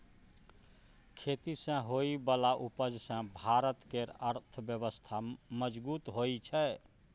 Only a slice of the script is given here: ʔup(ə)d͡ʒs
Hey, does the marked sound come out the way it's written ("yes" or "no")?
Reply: yes